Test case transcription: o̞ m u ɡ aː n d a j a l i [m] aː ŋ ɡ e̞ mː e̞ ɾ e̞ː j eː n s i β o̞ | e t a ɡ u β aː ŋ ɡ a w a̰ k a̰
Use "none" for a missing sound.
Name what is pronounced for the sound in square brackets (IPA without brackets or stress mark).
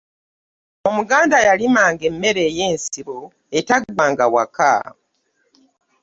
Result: m